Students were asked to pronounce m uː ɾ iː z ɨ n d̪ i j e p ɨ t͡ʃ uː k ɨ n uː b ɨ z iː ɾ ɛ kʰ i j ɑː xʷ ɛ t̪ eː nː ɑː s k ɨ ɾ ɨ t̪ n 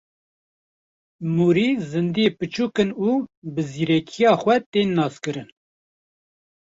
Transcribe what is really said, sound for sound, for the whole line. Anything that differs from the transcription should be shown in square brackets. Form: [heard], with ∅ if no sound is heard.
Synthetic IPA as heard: m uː ɾ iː z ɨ n d̪ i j e p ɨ t͡ʃ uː k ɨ n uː b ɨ z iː ɾ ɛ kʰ i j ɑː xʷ ɛ t̪ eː nː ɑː s k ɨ ɾ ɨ [∅] n